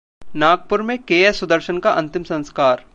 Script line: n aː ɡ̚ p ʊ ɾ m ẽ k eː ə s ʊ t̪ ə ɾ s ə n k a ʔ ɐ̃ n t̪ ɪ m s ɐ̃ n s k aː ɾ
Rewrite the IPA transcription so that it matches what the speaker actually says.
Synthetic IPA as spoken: n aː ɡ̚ p ʊ ɾ m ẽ k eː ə s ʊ d̪ ə ɾ ʃ ə n k a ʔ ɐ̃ n t̪ ɪ m s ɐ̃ n s k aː ɾ